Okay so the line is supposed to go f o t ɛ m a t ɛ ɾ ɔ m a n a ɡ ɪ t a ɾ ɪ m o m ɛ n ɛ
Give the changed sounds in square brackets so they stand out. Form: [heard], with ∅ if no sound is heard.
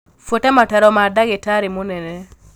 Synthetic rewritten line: f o t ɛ m a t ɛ ɾ ɔ m a [d] a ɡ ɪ t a ɾ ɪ m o [n] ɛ n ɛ

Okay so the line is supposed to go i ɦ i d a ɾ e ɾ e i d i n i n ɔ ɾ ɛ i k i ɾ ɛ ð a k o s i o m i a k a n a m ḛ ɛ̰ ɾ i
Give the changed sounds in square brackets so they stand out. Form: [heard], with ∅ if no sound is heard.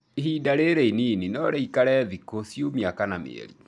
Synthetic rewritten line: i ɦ i d a ɾ e ɾ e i [n] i n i n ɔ ɾ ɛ i k [a] ɾ ɛ ð [i] k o s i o m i a k a n a m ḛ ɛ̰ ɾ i

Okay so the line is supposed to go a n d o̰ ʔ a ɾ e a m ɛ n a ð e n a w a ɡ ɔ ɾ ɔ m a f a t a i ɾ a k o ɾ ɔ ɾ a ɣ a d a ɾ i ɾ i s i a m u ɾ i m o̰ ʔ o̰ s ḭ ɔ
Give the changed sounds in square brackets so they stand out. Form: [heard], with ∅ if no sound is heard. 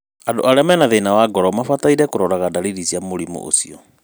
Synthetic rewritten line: a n d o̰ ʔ a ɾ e a m ɛ n a ð e n a w a ɡ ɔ ɾ ɔ m a f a t a i ɾ [ɛ] k o ɾ ɔ ɾ a ɣ a d a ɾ i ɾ i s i a m [o] ɾ i m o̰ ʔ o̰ s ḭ ɔ

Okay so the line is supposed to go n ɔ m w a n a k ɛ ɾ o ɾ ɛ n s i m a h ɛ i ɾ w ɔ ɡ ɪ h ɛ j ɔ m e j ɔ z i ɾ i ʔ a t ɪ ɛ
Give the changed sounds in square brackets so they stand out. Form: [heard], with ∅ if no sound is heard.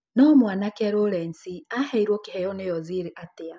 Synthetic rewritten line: n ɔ m w a n a k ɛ ɾ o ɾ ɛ n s i [∅] a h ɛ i ɾ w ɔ [k] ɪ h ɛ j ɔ [n] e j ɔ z i ɾ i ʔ a t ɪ [a]

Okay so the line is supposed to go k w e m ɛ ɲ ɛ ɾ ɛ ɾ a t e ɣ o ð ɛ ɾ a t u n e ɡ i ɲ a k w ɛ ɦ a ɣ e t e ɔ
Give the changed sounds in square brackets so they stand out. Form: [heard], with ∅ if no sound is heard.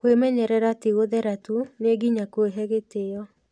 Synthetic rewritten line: k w e m ɛ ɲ ɛ ɾ ɛ ɾ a t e ɣ o ð ɛ ɾ a t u n e ɡ i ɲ a k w [e] ɦ [ɛ] ɣ e t e ɔ

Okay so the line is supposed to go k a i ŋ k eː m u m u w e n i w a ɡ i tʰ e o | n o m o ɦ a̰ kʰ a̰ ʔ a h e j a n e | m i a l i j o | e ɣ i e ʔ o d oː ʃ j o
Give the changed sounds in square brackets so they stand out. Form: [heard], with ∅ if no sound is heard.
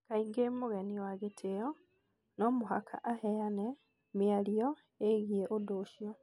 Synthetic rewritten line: k a i ŋ [ɡ] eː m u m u [ɣ] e n i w a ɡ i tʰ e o | n o m [u] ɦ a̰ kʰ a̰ ʔ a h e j a n e | m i a l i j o | e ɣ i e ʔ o d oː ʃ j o

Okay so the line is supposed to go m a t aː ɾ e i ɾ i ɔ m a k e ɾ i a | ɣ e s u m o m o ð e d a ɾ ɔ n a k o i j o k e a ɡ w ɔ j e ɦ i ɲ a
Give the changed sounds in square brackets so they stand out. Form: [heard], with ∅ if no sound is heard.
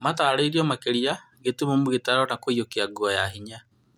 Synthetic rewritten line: m a t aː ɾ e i ɾ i ɔ m a k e ɾ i a | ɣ e [t] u m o m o [ɣ] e [t] a ɾ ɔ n a k o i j o k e a ɡ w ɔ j [a] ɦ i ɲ a

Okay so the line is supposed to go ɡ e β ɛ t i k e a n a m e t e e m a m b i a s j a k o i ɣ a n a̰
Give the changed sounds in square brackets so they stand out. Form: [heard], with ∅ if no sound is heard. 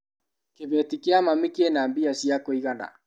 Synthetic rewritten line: [k] e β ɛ t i k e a [m] a m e [k] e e [n] a m b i a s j a k o i ɣ a n a̰

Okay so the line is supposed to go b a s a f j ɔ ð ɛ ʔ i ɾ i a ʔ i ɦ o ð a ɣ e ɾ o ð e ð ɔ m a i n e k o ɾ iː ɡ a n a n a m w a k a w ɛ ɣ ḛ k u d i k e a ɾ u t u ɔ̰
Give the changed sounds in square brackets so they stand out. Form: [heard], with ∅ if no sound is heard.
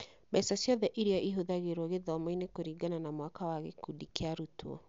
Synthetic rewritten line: b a s a [s] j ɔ ð ɛ ʔ i ɾ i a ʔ i ɦ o ð a ɣ e ɾ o [ɣ] e ð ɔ m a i n e k o ɾ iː ɡ a n a n a m w a k a w [a] ɣ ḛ k u d i k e a ɾ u t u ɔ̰

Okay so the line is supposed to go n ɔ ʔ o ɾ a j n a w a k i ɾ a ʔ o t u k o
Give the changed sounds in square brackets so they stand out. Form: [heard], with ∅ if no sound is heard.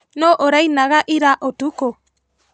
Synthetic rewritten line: n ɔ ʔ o ɾ a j n a [ɣ] a [ʔ] i ɾ a ʔ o t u k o

